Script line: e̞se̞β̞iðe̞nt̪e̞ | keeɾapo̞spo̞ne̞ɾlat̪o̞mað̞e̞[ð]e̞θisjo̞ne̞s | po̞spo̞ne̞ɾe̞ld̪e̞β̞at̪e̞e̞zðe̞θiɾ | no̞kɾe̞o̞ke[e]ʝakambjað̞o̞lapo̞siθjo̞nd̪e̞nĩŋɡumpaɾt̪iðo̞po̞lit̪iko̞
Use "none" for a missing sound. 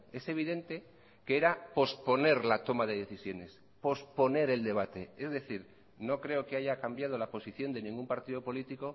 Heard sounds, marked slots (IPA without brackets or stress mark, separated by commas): ð, a